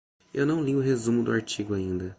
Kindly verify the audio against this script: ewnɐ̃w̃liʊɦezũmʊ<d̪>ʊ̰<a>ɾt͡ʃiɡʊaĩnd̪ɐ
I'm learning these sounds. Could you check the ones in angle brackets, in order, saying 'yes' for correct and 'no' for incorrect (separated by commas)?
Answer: yes, yes